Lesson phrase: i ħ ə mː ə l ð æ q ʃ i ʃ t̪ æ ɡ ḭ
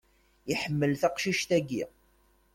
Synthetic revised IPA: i ħ ə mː ə l θ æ q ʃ i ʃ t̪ æ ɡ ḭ